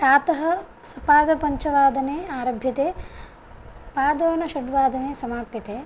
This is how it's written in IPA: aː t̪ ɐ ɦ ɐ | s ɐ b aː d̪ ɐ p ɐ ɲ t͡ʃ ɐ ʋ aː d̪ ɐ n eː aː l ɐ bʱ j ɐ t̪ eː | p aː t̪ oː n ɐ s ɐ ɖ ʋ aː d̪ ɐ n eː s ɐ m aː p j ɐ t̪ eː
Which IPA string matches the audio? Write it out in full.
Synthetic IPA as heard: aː t̪ ɐ ɦ ɐ | s ɐ p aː d̪ ɐ p ɐ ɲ t͡ʃ ɐ ʋ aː d̪ ɐ n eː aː ɾ ɐ bʱ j ɐ t̪ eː | p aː d̪ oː n ɐ ʃ ɐ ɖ ʋ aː d̪ ɐ n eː s ɐ m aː p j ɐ t̪ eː